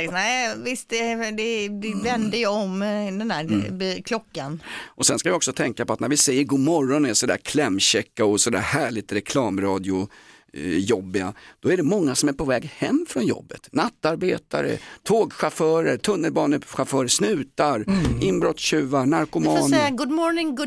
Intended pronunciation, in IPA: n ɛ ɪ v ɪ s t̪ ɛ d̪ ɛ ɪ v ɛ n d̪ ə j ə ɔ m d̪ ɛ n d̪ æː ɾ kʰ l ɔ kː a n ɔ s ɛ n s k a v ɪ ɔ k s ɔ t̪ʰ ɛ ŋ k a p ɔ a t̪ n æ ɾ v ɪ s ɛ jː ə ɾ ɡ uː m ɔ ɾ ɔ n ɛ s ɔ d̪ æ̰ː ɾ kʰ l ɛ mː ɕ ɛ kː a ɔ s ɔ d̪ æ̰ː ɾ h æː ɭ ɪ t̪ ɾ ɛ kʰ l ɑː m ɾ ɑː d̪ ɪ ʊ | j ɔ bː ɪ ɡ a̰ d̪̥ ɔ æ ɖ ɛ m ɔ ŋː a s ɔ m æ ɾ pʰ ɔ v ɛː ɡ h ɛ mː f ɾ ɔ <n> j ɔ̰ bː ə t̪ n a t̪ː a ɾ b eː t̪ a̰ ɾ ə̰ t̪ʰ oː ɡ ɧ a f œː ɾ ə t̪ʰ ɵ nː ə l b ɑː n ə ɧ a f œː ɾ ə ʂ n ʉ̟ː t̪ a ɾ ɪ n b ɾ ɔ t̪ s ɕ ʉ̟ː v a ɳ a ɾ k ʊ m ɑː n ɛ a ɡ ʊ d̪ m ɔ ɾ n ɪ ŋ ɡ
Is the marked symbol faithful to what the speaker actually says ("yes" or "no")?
yes